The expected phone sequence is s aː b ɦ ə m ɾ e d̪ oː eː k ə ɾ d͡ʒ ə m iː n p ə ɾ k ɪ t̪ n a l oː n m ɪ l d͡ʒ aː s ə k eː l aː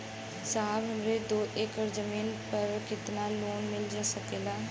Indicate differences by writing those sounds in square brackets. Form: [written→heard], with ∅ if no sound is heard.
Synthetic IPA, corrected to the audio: s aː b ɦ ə m ɾ e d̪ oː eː k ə ɾ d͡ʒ ə m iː n p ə ɾ k ɪ t̪ n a l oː n m ɪ l d͡ʒ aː s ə k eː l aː